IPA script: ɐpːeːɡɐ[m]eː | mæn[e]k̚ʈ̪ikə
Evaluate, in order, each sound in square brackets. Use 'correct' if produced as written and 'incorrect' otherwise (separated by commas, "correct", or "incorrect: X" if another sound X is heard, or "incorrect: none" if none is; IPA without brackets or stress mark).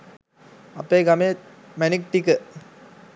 correct, incorrect: i